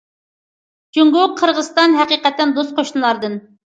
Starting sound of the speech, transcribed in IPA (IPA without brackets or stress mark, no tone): d͡ʒ